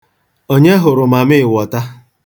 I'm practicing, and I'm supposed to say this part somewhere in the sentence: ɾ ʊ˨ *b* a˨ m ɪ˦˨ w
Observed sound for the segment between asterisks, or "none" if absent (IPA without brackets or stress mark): m